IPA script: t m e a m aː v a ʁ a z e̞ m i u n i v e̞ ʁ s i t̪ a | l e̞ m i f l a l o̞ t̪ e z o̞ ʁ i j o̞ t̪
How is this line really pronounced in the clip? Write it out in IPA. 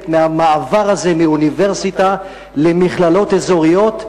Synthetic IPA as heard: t m e a m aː v a ʁ a z e̞ m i u n i v e̞ ʁ s i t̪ a | l e̞ m i χ l a l o̞ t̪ e z o̞ ʁ i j o̞ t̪